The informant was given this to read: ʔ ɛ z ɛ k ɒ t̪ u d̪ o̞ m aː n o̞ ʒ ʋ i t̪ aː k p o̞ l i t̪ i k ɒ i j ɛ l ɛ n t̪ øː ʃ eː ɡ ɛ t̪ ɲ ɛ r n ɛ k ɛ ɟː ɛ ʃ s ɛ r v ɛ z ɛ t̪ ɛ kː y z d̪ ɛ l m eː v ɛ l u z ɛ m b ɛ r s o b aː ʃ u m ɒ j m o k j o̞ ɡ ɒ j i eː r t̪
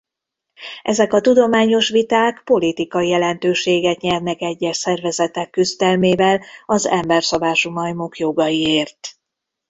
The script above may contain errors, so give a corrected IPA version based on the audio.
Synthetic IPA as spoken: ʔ ɛ z ɛ k ɒ t̪ u d̪ o̞ m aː ɲ o̞ ʃ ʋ i t̪ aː k p o̞ l i t̪ i k ɒ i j ɛ l ɛ n t̪ øː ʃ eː ɡ ɛ t̪ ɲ ɛ r n ɛ k ɛ ɟː ɛ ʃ s ɛ r v ɛ z ɛ t̪ ɛ kː y z d̪ ɛ l m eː v ɛ l ɒ z ɛ m b ɛ r s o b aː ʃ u m ɒ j m o k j o̞ ɡ ɒ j i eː r t̪